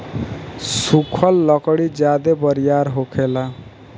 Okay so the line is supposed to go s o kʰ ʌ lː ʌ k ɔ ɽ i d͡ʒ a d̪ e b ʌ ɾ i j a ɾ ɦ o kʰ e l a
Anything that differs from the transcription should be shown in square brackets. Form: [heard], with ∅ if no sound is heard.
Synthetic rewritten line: s [u] kʰ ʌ lː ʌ k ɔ ɽ i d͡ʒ a d̪ e b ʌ ɾ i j a ɾ ɦ o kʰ e l a